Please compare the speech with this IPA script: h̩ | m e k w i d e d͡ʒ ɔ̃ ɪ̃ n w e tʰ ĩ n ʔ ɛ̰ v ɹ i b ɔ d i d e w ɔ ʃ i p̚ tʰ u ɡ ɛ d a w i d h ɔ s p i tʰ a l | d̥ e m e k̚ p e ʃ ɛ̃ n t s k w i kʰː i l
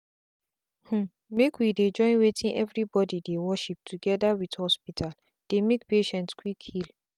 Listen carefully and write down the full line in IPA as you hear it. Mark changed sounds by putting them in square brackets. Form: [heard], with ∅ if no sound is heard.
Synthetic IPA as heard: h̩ | m e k w i d e d͡ʒ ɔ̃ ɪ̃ n w e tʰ ĩ n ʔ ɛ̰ v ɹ i b ɔ d i d e w ɔ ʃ i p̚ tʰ u ɡ ɛ d a w i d h ɔ s p i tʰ a l | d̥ e m e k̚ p e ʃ ɛ̃ n t s k w i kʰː i l